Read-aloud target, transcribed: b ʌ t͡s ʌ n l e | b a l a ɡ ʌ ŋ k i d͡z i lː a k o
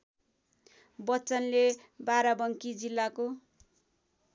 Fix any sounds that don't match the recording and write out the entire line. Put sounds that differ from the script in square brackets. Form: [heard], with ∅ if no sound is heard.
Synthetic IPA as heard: b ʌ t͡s ʌ n l e | b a [ɾ] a [b] ʌ ŋ k i d͡z i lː a k o